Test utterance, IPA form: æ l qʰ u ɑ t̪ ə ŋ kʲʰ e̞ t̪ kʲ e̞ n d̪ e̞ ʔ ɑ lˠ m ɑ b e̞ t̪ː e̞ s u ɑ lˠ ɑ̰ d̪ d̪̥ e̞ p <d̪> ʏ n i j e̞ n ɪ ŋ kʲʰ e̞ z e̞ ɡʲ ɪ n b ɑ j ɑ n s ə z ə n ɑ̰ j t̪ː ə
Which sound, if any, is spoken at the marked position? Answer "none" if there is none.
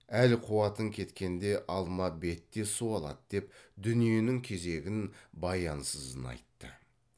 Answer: d̪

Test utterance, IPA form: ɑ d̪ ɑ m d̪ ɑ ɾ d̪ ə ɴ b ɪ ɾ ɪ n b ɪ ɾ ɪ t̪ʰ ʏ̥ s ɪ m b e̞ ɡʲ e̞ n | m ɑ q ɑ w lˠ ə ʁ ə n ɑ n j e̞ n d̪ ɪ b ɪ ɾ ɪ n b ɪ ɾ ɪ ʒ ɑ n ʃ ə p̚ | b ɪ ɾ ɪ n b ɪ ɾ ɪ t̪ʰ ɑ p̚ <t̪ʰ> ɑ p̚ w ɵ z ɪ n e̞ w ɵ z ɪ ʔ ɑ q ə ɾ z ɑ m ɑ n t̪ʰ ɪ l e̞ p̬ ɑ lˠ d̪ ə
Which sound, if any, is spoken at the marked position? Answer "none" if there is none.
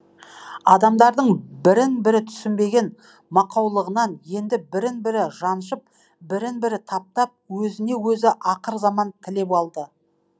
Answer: t̪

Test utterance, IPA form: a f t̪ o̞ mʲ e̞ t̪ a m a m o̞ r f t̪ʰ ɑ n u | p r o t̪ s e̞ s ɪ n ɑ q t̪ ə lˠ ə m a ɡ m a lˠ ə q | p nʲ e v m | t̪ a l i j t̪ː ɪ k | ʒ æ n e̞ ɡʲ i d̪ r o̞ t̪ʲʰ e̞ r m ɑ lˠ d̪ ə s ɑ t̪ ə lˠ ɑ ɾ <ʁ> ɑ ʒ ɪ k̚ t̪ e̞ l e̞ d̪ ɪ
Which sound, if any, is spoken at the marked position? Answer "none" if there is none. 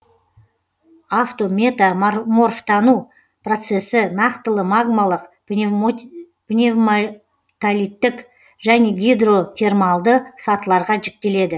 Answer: ʁ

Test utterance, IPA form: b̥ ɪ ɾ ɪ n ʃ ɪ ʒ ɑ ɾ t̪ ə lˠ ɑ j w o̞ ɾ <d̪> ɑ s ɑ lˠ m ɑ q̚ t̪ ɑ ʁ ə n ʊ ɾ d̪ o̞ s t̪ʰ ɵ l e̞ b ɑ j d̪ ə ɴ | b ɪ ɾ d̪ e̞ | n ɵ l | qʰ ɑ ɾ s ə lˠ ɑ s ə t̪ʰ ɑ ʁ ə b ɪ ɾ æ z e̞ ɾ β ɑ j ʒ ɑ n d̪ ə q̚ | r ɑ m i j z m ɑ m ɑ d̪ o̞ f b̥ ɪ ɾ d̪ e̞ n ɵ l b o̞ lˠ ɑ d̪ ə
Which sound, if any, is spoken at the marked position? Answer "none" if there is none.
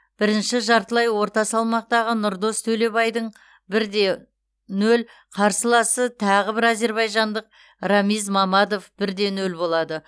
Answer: t̪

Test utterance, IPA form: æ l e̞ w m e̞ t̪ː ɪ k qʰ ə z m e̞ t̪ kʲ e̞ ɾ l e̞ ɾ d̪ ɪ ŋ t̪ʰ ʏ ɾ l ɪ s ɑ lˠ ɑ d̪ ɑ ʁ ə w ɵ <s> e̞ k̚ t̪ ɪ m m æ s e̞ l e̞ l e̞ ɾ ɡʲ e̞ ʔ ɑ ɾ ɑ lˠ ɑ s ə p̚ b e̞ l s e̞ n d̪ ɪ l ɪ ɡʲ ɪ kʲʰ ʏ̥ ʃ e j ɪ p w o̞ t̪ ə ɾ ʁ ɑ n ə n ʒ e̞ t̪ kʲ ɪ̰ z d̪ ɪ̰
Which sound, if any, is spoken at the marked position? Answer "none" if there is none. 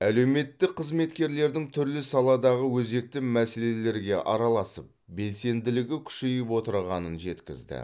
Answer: z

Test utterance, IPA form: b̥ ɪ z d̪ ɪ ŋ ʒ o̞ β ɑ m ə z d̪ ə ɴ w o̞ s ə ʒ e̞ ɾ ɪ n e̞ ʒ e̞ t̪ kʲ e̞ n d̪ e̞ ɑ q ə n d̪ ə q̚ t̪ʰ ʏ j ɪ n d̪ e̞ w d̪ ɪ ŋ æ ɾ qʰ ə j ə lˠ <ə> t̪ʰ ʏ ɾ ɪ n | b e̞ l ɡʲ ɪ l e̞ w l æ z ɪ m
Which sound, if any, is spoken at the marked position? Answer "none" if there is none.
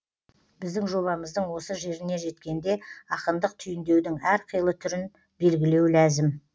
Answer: ə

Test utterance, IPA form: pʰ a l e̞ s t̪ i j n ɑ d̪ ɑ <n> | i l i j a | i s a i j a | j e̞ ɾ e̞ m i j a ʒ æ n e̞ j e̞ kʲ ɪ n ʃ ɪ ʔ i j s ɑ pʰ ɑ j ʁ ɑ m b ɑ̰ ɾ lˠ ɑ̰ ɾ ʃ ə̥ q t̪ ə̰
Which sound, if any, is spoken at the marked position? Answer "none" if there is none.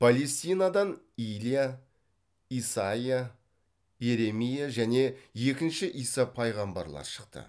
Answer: n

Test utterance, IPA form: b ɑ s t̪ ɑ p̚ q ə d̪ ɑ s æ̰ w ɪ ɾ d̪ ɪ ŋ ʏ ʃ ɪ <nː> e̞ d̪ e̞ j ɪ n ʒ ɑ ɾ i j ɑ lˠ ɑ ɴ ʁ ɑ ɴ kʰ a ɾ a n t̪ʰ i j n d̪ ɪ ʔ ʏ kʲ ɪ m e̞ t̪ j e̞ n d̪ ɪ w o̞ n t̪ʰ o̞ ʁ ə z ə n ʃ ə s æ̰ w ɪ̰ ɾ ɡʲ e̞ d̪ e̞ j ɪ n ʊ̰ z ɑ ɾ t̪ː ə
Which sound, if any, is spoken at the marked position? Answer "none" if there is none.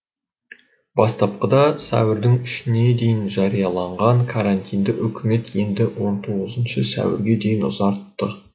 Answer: n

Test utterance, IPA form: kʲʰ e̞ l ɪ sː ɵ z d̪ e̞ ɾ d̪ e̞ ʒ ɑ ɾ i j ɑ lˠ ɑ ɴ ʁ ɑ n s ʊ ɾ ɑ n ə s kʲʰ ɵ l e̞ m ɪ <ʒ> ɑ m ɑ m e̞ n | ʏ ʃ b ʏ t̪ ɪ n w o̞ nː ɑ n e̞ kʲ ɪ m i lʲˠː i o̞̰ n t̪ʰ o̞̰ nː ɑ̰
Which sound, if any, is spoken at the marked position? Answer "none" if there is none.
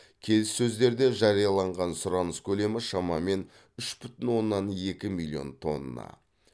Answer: ʃ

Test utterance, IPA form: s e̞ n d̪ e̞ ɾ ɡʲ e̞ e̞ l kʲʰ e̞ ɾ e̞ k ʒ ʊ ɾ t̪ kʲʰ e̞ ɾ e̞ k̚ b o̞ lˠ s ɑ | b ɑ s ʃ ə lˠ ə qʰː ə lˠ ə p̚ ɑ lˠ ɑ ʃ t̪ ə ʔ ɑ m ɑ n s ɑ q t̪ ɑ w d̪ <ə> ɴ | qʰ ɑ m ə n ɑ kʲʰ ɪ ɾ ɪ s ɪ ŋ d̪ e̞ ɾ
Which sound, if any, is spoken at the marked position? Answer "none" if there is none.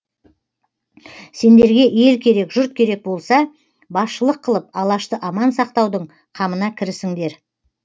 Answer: ə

